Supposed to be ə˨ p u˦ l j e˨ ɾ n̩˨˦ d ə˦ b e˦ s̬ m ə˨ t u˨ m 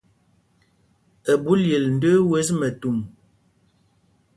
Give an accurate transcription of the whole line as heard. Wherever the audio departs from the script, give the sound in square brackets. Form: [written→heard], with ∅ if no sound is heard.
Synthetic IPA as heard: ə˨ [p→b] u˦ l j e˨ [ɾ→l] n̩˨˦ d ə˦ [b→w] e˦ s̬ m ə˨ t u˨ m